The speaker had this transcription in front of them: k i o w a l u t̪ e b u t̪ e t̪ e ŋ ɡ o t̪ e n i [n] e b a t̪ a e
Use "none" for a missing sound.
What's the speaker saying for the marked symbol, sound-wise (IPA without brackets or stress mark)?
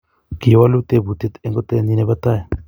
n